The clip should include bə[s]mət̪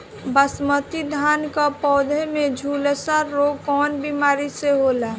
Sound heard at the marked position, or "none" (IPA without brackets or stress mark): s